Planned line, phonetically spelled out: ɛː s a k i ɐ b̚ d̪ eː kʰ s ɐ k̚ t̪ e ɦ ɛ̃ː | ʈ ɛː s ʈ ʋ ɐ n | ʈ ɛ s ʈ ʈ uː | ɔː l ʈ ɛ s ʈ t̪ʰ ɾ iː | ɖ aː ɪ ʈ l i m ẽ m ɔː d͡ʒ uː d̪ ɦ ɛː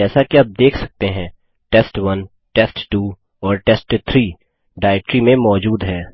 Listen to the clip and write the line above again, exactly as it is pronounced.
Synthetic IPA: ɛː s a k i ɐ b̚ d̪ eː kʰ s ɐ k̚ t̪ e ɦ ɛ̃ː | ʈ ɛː s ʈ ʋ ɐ n | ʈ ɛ s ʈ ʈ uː | ɔː ɾ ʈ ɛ s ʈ t̪ʰ ɾ iː | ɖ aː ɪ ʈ ɾ i m ẽ m ɔː d͡ʒ uː d̪ ɦ ɛː